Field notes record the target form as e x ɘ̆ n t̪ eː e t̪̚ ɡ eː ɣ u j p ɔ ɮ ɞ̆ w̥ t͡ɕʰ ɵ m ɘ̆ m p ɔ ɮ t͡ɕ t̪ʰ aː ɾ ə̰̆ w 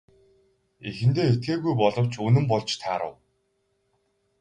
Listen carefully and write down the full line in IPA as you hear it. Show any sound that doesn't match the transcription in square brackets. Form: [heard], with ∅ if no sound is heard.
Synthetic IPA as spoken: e x ɘ̆ n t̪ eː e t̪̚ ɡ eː ɣ u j p ɔ ɮ ɞ̆ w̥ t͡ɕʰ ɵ [n] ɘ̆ m p ɔ ɮ t͡ɕ t̪ʰ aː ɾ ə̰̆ w